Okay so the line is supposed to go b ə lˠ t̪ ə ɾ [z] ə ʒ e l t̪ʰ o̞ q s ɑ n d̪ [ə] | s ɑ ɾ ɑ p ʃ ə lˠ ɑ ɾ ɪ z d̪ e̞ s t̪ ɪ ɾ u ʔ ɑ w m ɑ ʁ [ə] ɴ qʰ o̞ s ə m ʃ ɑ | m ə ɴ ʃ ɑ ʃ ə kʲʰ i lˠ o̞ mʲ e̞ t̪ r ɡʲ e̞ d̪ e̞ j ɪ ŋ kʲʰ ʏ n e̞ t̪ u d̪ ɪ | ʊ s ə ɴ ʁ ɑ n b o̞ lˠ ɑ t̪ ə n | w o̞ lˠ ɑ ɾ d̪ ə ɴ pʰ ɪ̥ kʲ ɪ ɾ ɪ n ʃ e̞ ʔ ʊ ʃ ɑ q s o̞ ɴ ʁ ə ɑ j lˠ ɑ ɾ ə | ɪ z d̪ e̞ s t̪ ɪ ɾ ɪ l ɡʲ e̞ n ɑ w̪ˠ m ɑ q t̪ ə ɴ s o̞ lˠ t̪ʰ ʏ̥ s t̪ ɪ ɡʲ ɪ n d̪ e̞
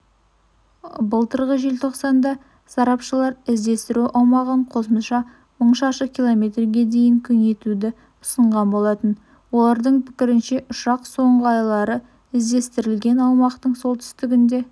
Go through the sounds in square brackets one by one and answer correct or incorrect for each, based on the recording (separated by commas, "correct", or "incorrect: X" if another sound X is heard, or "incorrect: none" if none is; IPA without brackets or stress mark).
incorrect: ʁ, incorrect: ɑ, correct